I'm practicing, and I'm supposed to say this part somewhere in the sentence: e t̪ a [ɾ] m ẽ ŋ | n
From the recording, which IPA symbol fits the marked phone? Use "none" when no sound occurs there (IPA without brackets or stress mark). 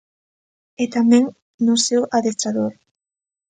none